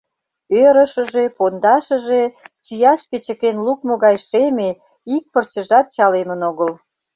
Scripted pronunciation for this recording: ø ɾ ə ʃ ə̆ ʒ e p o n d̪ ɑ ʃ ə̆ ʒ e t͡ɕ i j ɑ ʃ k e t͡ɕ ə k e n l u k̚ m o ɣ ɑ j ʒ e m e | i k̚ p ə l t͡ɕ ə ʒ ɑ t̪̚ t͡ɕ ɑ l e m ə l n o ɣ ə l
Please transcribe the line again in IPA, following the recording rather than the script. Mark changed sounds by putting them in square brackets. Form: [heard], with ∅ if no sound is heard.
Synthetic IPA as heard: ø ɾ ə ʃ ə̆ ʒ e p o n d̪ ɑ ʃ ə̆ ʒ e t͡ɕ i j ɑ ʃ k e t͡ɕ ə k e n l u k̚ m o ɣ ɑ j [ʃ] e m e | i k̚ p ə [r] t͡ɕ ə ʒ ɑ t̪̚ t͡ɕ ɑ l e m ə [∅] n o ɣ ə l

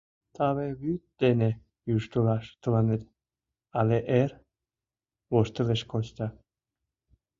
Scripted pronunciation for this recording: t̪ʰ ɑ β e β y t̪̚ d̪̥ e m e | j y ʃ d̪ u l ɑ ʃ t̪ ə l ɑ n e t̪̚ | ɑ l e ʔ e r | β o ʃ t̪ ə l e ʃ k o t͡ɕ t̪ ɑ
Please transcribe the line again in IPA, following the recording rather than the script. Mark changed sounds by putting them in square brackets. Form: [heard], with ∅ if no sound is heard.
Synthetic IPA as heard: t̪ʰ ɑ β e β y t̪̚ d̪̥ e [n] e | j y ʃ [t̪] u l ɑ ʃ t̪ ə l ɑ n e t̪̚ | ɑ l e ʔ e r | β o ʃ t̪ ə l e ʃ k o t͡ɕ t̪ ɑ

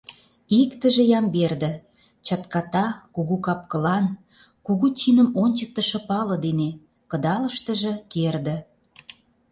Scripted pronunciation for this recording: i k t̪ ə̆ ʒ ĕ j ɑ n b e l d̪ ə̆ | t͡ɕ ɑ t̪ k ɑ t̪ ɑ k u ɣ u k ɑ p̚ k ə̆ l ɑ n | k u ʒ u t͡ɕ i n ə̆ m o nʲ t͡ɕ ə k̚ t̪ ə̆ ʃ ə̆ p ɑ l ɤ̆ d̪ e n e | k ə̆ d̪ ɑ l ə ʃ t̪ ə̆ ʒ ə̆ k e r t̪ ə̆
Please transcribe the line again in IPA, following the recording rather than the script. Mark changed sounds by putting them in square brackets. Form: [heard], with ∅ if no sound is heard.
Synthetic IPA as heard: i k t̪ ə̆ ʒ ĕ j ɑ [m] b e [r] d̪ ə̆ | t͡ɕ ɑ t̪ k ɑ t̪ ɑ k u ɣ u k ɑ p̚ k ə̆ l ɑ n | k u [ɣ] u t͡ɕ i n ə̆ m o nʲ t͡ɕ ə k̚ t̪ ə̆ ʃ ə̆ p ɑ l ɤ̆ d̪ e n e | k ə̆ d̪ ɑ l ə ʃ t̪ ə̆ ʒ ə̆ k e r [d̪] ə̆

